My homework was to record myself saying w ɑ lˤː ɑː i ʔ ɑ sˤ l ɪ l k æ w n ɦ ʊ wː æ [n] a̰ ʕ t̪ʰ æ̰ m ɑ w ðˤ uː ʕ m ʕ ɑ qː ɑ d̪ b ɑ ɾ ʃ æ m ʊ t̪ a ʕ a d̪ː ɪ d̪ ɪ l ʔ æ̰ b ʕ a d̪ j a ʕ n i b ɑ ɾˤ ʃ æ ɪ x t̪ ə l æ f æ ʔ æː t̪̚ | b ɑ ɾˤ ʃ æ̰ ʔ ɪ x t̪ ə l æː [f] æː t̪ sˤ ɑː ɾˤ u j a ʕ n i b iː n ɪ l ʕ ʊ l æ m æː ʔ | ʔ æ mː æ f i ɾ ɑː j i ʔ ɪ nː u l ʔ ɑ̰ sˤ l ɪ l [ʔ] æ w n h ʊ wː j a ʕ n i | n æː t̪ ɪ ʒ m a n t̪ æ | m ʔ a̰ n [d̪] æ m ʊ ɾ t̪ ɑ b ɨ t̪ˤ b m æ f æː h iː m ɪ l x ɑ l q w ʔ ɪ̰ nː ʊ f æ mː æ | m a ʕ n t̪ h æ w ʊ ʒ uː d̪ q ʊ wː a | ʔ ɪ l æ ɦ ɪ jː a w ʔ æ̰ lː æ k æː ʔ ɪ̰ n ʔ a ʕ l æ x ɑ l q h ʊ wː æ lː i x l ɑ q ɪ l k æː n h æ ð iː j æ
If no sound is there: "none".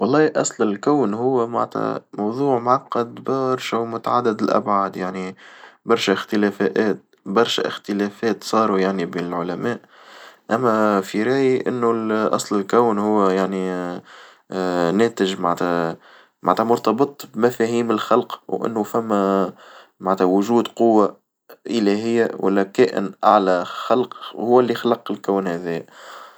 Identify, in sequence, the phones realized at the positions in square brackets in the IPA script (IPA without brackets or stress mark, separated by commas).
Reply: m, f, k, t̪